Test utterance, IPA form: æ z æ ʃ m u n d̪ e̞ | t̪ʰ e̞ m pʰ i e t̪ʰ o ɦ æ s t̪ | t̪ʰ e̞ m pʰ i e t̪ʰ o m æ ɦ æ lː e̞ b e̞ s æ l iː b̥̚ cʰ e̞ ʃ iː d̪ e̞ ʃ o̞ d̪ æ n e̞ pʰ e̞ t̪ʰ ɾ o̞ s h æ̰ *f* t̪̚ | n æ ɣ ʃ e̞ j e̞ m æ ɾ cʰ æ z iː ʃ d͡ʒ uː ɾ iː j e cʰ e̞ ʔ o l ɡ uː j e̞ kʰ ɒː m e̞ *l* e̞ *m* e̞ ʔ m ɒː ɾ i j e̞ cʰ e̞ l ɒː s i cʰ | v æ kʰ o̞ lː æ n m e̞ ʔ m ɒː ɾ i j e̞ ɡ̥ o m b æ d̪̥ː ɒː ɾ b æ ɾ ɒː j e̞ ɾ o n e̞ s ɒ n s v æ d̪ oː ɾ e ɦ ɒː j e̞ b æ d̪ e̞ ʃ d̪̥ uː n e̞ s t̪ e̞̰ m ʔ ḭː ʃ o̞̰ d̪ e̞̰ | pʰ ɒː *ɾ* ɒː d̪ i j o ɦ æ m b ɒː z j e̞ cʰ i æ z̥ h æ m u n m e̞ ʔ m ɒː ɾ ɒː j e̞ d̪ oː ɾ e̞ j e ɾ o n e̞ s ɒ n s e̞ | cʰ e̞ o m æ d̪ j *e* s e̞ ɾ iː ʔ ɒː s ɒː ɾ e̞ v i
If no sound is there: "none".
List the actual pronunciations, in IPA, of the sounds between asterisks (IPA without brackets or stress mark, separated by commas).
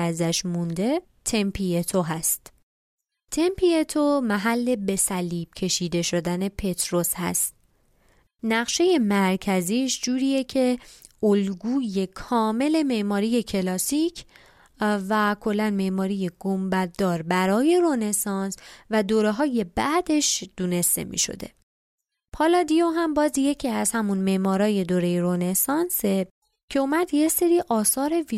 s, l, m, l, e